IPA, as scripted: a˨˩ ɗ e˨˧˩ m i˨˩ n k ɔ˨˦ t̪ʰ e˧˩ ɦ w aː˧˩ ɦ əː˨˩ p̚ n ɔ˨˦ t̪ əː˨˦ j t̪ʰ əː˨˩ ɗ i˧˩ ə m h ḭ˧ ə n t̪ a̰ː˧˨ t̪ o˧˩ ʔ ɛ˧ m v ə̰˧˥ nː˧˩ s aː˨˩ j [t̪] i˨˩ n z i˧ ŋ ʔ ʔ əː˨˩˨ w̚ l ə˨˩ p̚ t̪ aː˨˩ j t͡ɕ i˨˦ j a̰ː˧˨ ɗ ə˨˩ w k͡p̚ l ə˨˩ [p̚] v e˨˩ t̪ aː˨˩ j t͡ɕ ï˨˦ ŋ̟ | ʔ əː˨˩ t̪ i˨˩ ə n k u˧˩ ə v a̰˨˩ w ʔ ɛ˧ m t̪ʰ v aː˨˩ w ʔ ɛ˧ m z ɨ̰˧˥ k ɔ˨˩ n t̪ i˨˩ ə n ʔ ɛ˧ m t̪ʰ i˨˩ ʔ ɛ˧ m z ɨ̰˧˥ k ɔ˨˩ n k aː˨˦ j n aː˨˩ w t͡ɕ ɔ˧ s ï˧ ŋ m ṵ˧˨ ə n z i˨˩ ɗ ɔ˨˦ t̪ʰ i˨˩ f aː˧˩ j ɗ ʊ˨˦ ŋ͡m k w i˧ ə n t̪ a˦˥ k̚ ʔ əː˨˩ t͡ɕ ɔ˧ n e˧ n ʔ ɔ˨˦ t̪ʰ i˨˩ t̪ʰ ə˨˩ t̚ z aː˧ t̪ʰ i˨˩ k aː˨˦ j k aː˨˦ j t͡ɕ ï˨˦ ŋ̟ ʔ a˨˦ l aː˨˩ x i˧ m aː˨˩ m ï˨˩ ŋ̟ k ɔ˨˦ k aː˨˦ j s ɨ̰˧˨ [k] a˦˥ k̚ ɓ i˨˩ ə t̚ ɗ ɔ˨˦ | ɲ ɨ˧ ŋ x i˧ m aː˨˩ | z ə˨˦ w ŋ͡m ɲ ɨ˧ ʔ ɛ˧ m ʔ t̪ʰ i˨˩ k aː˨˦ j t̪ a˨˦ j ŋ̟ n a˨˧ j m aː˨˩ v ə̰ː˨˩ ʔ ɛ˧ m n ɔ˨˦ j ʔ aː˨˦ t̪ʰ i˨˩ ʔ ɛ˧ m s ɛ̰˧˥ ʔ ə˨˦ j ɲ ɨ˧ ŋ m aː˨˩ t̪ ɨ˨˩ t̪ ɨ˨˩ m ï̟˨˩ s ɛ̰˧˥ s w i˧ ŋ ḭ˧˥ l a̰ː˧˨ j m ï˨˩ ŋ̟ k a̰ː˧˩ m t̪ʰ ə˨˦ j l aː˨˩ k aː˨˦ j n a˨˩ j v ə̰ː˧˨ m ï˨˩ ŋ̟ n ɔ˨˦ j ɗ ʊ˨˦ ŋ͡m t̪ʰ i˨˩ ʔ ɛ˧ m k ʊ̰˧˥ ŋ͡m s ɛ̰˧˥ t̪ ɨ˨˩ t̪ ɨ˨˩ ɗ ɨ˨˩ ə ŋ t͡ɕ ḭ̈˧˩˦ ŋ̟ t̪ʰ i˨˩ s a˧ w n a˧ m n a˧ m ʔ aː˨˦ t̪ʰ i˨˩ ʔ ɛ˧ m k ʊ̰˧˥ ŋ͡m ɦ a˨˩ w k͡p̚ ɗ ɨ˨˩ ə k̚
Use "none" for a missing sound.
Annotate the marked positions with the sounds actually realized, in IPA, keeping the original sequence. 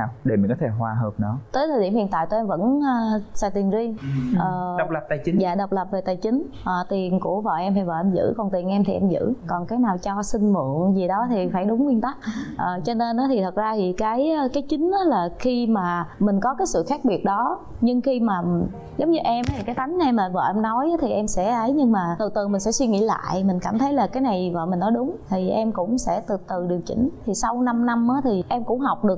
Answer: t̪, p̚, x

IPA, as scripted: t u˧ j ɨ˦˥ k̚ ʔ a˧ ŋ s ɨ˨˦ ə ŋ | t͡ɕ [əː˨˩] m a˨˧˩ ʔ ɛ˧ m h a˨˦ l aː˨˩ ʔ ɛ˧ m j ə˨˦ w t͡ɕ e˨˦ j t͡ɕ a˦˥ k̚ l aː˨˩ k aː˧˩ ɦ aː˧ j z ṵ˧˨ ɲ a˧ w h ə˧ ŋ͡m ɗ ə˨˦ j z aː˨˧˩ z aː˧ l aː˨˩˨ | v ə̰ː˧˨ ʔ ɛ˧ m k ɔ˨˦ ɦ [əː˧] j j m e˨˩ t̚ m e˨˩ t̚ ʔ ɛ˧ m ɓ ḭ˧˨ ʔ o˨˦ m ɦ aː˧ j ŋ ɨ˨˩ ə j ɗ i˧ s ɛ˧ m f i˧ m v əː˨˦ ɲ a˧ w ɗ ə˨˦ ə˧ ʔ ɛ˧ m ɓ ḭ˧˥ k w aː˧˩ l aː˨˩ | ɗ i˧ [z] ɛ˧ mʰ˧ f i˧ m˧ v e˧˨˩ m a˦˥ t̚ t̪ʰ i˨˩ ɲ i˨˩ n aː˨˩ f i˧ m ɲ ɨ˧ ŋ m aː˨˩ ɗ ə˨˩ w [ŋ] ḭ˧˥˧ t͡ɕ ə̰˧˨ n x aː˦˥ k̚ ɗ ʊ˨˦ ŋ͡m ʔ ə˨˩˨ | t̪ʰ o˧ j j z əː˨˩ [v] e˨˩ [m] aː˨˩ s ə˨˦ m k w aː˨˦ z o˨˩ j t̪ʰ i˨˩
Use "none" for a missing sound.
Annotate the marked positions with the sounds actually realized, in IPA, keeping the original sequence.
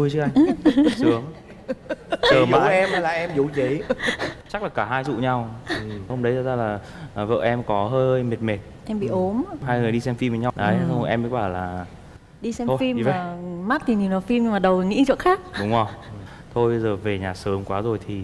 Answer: əː˨˩, əː˧, s, ŋ, v, ɲ

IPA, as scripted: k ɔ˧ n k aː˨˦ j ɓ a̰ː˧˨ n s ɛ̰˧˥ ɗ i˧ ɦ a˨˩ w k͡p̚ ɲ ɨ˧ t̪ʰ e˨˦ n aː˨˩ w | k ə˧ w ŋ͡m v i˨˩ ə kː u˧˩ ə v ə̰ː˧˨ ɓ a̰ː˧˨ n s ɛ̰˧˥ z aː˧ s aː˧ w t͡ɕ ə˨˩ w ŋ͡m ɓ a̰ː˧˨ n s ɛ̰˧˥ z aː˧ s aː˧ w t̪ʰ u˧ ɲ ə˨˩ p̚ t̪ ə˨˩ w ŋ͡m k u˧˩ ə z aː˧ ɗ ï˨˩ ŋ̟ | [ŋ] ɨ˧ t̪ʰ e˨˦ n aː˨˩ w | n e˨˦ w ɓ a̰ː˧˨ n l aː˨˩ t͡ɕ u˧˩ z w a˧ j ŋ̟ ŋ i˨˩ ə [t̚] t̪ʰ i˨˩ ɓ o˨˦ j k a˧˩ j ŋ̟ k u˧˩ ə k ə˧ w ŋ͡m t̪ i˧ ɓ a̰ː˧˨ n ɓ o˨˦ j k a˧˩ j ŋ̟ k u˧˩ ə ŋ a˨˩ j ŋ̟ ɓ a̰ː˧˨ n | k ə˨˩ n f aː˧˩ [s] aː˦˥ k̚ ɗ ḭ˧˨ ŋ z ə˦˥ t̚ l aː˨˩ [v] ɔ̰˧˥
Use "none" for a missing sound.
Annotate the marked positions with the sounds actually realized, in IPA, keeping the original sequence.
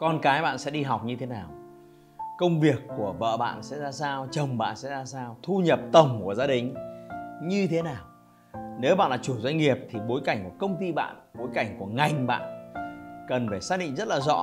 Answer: ɲ, p̚, s, z

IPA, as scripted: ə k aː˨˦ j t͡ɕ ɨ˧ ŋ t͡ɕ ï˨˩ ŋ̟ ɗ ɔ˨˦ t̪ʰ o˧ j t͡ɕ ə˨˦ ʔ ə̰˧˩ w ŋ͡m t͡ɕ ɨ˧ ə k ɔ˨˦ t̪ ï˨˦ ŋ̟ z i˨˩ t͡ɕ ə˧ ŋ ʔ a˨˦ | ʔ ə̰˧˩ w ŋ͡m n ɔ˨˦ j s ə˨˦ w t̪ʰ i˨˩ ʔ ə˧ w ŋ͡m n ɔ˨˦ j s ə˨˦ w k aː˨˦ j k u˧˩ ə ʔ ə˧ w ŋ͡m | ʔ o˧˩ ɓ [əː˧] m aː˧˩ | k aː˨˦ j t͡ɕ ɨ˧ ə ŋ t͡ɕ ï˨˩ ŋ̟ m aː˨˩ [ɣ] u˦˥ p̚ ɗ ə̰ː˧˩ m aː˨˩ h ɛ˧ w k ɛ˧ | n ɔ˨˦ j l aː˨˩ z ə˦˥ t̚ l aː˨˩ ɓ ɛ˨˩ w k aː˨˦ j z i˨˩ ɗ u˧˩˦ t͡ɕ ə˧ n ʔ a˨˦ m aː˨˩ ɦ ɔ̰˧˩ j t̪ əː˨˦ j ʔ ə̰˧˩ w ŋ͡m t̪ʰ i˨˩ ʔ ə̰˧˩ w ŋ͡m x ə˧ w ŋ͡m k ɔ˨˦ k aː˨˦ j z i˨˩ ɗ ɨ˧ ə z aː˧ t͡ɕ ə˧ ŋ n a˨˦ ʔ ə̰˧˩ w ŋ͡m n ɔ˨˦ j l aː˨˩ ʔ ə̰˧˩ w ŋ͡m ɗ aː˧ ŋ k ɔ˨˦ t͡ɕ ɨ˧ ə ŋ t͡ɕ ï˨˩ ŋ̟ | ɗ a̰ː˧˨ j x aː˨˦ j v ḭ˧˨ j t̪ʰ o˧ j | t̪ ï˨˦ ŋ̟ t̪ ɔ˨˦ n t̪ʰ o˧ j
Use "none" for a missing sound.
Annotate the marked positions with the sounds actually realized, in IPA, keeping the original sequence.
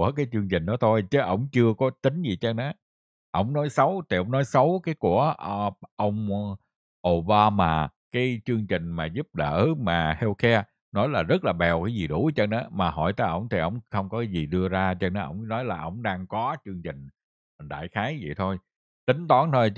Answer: aː˧, z

